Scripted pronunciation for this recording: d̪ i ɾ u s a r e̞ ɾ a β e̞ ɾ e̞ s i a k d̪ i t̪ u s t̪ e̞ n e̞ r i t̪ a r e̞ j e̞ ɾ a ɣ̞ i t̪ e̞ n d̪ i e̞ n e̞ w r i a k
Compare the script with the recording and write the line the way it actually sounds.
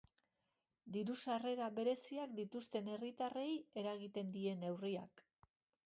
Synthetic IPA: d̪ i ɾ u s a r e̞ ɾ a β e̞ ɾ e̞ s i a k d̪ i t̪ u s t̪ e̞ n e̞ r i t̪ a r e̞ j e̞ ɾ a ɣ̞ i t̪ e̞ n d̪ i e̞ n e̞ w r i a k